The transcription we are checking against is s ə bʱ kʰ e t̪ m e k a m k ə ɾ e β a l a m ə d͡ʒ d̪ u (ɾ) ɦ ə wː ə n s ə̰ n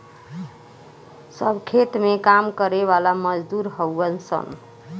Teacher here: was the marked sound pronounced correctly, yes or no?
yes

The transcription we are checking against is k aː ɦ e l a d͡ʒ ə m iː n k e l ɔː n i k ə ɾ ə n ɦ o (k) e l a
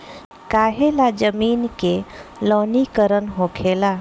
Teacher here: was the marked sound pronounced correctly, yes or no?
no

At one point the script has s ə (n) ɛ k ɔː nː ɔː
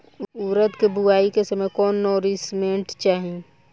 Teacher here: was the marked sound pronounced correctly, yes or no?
no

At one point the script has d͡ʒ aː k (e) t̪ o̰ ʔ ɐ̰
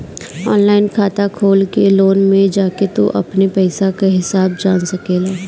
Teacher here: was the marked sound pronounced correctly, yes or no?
yes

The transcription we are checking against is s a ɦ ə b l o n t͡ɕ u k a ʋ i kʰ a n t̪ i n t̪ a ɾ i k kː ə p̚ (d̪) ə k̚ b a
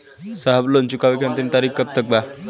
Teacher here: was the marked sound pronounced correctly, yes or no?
no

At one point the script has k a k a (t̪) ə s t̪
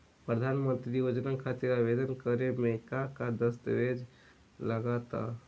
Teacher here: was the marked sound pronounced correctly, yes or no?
no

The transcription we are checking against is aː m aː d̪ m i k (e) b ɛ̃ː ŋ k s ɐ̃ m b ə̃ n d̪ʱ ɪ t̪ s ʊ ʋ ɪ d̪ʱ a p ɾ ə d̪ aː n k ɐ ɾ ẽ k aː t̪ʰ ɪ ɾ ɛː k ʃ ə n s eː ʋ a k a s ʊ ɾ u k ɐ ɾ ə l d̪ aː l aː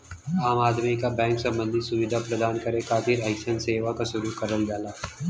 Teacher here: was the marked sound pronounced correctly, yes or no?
no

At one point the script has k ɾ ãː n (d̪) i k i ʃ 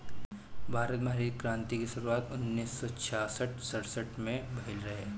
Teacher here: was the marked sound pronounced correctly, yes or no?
no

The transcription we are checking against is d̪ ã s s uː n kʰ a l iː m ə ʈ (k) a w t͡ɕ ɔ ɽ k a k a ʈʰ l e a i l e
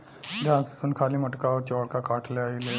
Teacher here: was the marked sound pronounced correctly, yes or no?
yes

